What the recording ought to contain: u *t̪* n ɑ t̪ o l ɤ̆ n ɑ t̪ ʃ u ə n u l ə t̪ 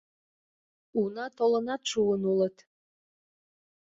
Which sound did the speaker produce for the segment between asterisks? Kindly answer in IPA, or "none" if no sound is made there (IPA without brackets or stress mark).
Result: none